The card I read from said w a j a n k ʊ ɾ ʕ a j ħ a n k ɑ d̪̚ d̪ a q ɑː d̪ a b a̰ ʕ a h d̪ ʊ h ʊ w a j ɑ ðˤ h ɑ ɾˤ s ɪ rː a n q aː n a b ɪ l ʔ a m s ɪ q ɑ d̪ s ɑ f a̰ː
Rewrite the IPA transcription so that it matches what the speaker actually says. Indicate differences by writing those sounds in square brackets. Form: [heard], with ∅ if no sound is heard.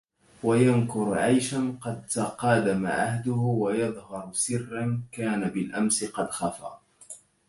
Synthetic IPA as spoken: w a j a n k ʊ ɾ ʕ a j [ʃ] a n [q] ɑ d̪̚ [t̪] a q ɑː d̪ a [m] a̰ ʕ a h d̪ ʊ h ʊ w a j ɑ ðˤ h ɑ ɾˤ s ɪ rː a n [k] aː n a b ɪ l ʔ a m s ɪ q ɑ d̪ [x] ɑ f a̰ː